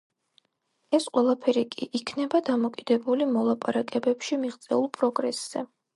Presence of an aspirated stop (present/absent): present